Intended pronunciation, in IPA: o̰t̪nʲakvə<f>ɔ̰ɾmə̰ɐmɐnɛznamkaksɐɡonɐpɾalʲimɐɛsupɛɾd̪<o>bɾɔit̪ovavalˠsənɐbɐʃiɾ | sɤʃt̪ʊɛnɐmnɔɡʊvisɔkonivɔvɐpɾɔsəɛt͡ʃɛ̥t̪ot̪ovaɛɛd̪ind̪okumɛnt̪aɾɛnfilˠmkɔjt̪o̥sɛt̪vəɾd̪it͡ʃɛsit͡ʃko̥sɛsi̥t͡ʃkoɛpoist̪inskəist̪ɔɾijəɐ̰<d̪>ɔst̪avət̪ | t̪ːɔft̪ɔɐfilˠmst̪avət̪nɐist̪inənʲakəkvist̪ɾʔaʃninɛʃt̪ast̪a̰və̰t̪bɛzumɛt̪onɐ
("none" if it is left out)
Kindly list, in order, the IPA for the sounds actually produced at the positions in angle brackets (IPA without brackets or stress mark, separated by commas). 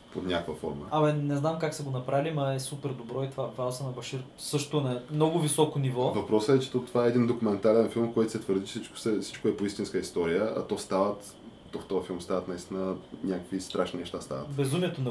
f, o, t̪